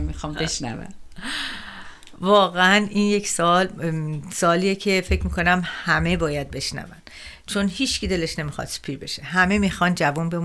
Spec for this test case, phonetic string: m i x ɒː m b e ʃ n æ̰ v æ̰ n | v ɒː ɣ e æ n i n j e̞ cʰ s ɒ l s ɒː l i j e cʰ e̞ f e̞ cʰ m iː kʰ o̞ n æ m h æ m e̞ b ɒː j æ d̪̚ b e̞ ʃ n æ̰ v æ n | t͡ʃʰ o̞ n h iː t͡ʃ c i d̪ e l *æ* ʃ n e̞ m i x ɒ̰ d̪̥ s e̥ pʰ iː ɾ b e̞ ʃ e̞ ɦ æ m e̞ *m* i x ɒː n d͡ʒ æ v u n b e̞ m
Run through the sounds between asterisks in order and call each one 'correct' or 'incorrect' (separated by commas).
incorrect, correct